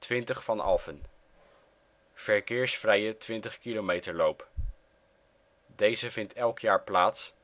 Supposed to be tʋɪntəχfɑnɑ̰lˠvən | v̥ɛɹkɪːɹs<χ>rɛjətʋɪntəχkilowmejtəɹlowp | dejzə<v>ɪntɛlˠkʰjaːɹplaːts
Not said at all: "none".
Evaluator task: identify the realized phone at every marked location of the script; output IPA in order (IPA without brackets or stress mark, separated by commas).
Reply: f, v